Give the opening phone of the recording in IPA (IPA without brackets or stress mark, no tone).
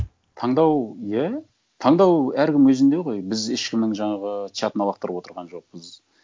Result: t̪ʰ